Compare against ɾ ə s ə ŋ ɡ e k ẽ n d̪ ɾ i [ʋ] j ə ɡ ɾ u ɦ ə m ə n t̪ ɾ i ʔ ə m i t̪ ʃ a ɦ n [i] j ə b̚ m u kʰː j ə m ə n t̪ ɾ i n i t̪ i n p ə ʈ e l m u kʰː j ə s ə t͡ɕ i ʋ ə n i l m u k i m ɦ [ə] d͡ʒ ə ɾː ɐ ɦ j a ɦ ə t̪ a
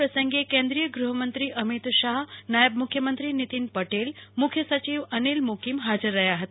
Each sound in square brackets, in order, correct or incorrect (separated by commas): incorrect, incorrect, incorrect